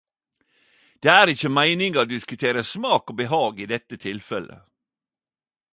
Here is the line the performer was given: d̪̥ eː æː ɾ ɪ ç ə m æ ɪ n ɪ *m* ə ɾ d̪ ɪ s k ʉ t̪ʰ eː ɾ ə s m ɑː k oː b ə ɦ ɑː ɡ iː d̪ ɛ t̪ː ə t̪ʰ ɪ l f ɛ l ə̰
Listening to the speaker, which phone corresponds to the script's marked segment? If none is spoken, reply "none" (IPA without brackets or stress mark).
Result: ŋ